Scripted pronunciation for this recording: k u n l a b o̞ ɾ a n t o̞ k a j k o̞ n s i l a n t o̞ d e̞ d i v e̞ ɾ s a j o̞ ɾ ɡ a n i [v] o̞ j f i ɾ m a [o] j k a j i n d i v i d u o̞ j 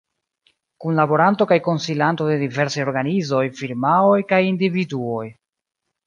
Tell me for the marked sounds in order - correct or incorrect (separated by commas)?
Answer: incorrect, correct